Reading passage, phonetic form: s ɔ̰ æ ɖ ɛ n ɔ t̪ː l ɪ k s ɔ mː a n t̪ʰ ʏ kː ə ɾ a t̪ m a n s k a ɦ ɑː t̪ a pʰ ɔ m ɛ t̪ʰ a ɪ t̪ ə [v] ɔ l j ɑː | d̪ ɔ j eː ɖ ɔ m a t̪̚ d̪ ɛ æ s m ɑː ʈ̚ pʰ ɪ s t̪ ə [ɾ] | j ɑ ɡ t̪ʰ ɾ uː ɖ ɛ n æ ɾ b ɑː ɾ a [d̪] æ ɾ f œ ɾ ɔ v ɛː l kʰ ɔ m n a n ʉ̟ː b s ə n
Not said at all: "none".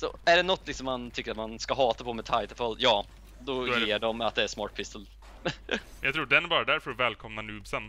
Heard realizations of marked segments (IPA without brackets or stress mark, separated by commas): f, l, d̪